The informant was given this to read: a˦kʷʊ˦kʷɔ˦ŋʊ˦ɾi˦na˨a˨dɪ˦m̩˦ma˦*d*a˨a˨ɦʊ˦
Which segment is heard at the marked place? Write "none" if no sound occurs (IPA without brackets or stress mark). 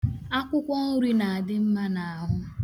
n